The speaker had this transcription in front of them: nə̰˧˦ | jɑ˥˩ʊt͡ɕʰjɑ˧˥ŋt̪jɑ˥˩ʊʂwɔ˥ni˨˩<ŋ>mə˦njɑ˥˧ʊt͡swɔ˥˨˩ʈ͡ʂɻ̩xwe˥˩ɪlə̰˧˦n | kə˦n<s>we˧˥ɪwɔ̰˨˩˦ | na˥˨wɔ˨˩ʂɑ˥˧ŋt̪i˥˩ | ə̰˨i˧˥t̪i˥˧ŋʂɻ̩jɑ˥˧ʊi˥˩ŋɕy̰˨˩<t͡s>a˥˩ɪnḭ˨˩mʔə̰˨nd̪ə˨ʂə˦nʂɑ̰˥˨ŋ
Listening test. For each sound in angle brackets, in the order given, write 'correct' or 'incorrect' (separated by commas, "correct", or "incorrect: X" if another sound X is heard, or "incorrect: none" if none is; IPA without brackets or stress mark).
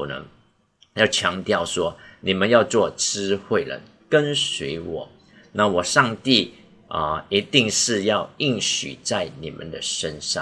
incorrect: none, correct, correct